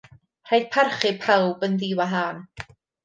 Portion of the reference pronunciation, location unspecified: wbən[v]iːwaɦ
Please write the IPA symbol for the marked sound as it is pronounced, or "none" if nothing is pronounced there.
ð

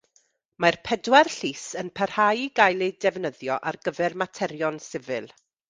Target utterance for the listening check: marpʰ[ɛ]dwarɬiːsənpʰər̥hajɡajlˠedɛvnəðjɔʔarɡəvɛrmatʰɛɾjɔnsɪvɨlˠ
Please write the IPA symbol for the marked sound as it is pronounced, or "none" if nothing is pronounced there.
ɛ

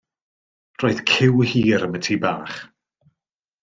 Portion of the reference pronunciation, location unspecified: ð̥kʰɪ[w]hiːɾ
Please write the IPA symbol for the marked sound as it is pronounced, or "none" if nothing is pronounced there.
w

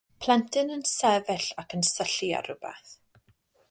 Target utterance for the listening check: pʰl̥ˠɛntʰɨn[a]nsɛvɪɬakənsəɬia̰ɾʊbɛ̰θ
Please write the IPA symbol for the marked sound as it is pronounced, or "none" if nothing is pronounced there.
ə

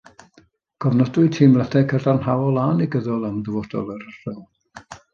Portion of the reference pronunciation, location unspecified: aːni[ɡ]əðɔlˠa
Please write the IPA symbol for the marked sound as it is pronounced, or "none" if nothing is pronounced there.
ɡ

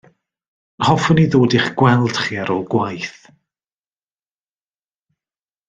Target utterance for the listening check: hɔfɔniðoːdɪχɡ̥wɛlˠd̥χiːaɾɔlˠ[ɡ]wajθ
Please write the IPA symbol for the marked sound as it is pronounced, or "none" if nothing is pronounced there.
ɡ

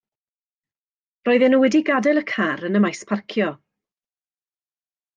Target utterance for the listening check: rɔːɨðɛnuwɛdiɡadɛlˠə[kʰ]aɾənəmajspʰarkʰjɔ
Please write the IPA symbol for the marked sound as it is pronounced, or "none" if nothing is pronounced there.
kʰ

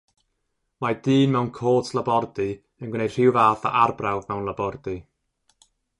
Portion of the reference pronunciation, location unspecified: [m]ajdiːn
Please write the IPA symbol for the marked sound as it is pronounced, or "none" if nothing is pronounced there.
m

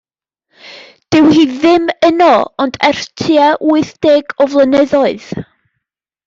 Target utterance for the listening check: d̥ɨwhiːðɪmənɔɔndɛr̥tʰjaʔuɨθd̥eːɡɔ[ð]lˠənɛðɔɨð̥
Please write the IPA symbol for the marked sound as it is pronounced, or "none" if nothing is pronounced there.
v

